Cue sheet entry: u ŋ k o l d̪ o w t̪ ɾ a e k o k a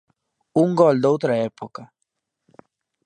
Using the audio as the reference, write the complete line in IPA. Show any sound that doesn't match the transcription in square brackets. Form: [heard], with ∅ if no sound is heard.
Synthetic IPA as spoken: u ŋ [ɡ] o l d̪ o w t̪ ɾ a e [p] o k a